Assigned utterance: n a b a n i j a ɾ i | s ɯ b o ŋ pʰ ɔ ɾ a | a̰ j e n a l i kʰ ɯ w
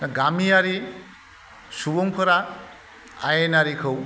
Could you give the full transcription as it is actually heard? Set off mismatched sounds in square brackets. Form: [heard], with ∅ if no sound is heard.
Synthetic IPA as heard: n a [ɡ] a [m] i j a ɾ i | s [u] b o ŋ pʰ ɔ ɾ a | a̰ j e n a [ɾ] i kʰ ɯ w